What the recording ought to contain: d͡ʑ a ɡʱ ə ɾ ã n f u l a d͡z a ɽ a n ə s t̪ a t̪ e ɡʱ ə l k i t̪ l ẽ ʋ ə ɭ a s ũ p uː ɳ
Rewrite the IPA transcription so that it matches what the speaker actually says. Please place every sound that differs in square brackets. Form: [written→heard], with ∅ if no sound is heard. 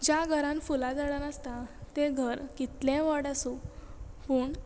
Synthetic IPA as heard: d͡ʑ a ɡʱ ə ɾ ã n f u l a d͡z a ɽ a n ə s t̪ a t̪ e ɡʱ ə [l→ɾ] k i t̪ l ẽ ʋ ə [ɭ→ɽ] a s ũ p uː ɳ

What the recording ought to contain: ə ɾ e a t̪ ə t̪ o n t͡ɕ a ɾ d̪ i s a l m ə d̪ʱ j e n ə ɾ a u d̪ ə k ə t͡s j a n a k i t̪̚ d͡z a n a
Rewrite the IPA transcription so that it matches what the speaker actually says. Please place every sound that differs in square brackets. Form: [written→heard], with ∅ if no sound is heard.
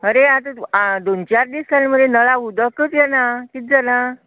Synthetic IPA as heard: ə ɾ e a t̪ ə [t̪→d̪] o n t͡ɕ a ɾ d̪ i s a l m ə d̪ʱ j e n ə [ɾ→ɭ] a u d̪ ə k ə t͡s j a n a k i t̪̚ d͡z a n a

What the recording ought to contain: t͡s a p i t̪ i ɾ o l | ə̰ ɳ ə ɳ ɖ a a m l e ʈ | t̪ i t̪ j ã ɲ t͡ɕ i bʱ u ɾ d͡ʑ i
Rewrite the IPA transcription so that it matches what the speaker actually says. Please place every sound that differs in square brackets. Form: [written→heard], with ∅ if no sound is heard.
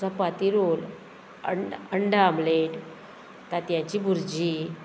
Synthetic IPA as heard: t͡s a p [i→a] t̪ i ɾ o l | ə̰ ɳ ə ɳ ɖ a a m l e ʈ | t̪ [i→a] t̪ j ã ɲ t͡ɕ i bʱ u ɾ d͡ʑ i

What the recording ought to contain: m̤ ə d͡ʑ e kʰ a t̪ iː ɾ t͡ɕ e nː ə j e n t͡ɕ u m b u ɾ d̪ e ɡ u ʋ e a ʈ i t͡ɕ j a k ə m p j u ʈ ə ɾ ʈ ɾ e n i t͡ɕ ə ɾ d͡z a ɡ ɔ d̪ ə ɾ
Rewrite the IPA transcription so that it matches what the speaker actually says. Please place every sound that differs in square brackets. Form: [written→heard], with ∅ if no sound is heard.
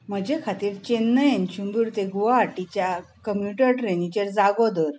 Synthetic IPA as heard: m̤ ə d͡ʑ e kʰ a t̪ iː ɾ t͡ɕ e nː ə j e n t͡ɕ u m b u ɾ [d̪→t̪] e ɡ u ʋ [e→a] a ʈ i t͡ɕ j a k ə m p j u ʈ ə ɾ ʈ ɾ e n i t͡ɕ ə ɾ d͡z a ɡ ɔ d̪ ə ɾ

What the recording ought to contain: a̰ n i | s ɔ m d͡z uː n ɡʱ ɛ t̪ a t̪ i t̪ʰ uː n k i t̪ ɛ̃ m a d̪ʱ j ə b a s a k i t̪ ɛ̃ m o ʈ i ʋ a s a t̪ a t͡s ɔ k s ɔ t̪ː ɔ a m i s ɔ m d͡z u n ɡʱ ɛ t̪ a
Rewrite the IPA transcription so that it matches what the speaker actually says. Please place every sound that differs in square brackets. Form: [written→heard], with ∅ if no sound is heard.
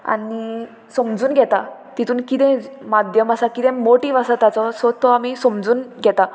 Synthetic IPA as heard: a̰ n i | s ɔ m d͡z uː n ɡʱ ɛ t̪ a t̪ i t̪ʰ uː n k i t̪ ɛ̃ m a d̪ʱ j ə [b→m] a s a k i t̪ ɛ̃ m o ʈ i ʋ a s a t̪ a t͡s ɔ [k→∅] s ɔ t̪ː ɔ a m i s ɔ m d͡z [u→uː] n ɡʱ ɛ t̪ a

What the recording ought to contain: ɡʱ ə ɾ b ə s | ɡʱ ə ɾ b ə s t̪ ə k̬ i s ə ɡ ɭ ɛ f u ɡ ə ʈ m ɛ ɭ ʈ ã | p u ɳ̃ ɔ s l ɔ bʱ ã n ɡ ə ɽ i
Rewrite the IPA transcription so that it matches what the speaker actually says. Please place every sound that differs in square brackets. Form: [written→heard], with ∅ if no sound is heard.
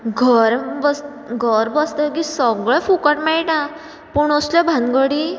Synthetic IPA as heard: ɡʱ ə ɾ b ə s | ɡʱ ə ɾ b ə s t̪ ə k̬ i s ə ɡ ɭ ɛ f u [ɡ→k] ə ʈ m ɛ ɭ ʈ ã | p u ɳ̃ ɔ s l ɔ bʱ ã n ɡ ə ɽ i

